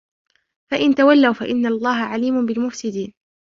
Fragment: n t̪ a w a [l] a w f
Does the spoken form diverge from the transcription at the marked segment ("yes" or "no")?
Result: yes